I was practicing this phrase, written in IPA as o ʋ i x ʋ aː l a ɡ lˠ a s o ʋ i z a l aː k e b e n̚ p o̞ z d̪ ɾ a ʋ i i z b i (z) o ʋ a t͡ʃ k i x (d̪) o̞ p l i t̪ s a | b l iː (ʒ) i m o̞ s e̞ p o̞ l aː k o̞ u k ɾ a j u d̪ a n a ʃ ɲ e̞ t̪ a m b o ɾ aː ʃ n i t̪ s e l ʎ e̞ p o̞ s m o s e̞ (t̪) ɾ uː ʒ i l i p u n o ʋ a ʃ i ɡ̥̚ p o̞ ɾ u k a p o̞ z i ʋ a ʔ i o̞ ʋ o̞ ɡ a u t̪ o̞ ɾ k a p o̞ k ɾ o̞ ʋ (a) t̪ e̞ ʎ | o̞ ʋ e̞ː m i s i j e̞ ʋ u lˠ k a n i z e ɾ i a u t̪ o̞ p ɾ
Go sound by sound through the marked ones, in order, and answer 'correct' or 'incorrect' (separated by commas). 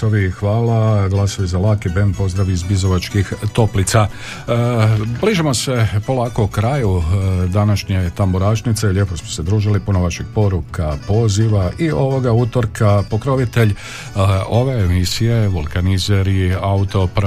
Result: correct, incorrect, correct, incorrect, incorrect